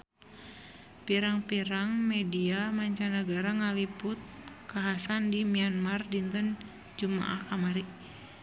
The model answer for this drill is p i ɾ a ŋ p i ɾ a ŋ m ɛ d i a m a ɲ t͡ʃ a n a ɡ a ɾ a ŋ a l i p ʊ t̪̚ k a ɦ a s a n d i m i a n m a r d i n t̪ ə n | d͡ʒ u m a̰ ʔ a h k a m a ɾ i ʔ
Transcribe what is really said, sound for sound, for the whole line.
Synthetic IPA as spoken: p i ɾ a ŋ p i ɾ a ŋ m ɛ d i a m a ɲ t͡ʃ a n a ɡ a ɾ a ŋ a l i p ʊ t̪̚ k a ɦ a s a n d i m i a n m a r d i n t̪ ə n | d͡ʒ u m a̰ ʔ a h k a m a ɾ i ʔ